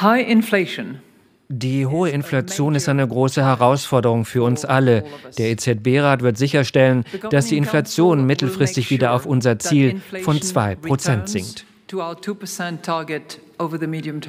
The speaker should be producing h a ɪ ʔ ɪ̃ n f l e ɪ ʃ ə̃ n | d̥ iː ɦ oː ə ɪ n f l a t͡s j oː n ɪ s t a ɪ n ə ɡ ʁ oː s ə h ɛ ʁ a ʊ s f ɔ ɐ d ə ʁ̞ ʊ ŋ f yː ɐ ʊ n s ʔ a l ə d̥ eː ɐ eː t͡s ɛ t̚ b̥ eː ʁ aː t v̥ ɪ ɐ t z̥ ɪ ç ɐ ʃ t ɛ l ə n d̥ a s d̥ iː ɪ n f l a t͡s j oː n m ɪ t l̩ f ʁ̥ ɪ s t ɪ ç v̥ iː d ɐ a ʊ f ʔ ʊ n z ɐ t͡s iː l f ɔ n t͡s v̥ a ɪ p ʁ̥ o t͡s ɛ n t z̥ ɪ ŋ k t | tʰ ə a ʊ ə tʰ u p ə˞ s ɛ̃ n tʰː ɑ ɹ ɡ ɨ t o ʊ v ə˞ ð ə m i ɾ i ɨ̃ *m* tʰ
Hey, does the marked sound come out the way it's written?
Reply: yes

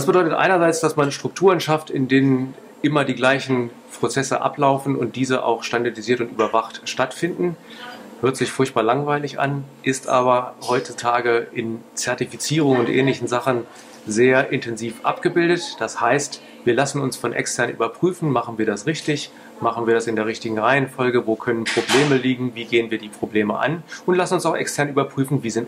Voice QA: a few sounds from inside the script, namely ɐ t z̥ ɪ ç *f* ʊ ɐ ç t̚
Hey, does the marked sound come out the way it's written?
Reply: yes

